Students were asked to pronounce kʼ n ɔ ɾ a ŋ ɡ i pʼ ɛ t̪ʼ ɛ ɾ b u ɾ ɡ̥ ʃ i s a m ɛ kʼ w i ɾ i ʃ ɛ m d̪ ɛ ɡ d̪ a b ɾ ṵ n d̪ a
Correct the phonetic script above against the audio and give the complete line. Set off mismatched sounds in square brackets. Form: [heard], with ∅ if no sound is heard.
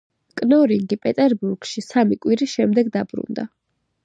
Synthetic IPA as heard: kʼ n ɔ ɾ [i] ŋ ɡ i pʼ ɛ t̪ʼ ɛ ɾ b u ɾ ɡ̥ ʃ i s a m [i] kʼ w i ɾ i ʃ ɛ m d̪ ɛ ɡ d̪ a b ɾ ṵ n d̪ a